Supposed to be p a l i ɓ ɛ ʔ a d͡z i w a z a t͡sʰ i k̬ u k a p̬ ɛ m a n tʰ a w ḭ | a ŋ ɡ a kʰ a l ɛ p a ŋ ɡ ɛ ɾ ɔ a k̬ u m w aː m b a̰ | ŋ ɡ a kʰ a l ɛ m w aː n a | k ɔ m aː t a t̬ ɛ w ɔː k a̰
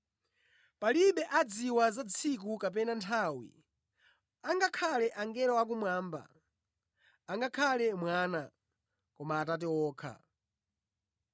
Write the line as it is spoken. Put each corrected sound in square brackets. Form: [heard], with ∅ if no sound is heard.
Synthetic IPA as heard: p a l i ɓ ɛ ʔ a d͡z i w a z a t͡sʰ i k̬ u k a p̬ ɛ [n] a n tʰ a w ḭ | a ŋ ɡ a kʰ a l ɛ [ʔ] a ŋ ɡ ɛ ɾ ɔ a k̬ u m w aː m b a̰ | ŋ ɡ a kʰ a l ɛ m w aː n a | k ɔ m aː t a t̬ ɛ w ɔː [kʰ] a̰